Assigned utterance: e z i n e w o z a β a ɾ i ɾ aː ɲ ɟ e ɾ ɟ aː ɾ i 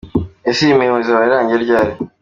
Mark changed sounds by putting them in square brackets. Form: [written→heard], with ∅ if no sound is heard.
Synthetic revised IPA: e [z→s] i [n→m] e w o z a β a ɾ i ɾ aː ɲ ɟ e ɾ ɟ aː ɾ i